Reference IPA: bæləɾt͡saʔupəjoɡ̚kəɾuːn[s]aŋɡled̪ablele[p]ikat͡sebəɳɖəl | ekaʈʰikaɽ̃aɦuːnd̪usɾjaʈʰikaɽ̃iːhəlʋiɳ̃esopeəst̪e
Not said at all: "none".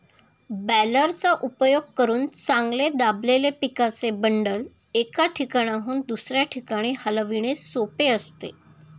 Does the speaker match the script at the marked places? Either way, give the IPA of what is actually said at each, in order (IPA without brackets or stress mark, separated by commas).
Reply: t͡s, p